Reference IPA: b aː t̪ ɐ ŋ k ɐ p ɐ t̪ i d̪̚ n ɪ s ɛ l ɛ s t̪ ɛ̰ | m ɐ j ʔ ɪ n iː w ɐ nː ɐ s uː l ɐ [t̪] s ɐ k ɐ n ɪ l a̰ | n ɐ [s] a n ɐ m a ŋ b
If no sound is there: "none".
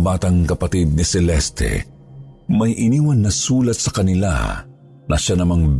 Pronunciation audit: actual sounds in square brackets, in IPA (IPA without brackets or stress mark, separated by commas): t̪, ʃ